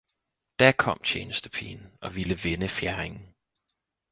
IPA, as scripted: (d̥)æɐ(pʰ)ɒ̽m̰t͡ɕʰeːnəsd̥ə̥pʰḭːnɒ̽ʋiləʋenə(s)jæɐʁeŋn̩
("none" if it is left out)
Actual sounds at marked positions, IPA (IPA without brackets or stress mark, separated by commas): d̥, kʰ, f